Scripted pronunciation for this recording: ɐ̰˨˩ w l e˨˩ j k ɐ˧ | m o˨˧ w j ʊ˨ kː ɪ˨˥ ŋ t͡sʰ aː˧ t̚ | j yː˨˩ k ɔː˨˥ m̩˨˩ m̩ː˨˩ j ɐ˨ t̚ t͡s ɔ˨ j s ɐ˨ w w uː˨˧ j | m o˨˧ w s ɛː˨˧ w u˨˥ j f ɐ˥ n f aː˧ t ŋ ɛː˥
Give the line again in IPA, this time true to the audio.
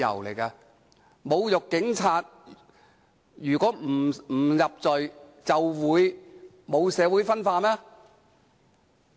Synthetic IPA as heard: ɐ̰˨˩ w l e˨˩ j k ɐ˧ | m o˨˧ w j ʊ˨ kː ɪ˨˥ ŋ t͡sʰ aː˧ t̚ | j yː˨˩ k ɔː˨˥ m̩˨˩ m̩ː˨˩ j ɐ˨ p̚ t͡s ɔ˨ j t͡s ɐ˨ w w uː˨˧ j | m o˨˧ w s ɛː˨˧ w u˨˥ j f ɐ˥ n f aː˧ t m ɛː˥